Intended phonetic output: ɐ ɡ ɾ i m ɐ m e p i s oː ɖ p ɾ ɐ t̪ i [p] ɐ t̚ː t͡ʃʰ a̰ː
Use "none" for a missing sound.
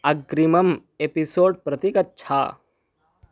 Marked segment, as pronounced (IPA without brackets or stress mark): k